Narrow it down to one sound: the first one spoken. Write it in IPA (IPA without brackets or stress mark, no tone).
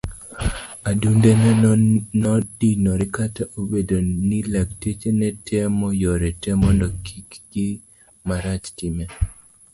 a